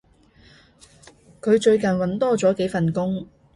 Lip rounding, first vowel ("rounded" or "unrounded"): rounded